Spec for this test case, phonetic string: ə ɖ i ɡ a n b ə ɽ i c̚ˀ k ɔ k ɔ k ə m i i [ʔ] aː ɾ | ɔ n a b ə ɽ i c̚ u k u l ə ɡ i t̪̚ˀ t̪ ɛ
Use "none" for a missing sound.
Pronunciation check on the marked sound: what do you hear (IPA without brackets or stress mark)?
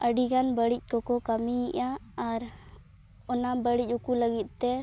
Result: ʔ